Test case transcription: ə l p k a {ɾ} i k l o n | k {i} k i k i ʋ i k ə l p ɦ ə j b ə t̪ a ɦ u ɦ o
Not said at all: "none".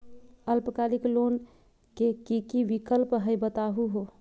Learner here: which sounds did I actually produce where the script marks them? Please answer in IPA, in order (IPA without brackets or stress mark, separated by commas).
l, e